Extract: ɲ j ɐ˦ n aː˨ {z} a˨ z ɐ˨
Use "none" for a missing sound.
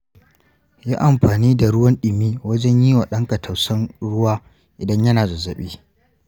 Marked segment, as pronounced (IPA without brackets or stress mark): z